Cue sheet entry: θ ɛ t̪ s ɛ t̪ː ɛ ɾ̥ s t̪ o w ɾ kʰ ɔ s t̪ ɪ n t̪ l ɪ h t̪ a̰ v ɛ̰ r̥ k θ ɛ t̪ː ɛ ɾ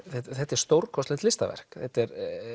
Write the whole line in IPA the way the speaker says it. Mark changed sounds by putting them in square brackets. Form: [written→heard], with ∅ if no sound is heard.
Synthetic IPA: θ ɛ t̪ [s→θ] ɛ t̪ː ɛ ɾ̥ s t̪ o w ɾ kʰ ɔ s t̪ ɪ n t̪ l ɪ [h→s] t̪ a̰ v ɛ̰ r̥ k θ ɛ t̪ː ɛ ɾ